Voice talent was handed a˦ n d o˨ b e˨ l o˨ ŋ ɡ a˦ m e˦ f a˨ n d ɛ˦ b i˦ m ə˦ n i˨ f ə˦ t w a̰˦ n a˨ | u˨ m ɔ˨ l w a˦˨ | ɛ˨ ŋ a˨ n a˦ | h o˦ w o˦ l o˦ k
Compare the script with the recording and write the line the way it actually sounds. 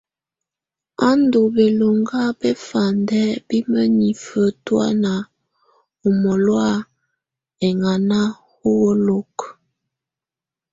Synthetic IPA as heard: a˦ n d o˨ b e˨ l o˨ ŋ ɡ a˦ b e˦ f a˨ n d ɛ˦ b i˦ m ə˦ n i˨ f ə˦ t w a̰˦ n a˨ | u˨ m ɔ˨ l w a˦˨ | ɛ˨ ŋ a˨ n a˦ | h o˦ w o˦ l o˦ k